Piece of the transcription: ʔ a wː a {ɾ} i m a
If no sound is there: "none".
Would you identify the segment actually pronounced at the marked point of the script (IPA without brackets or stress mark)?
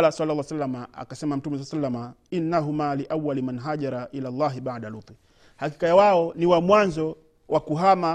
l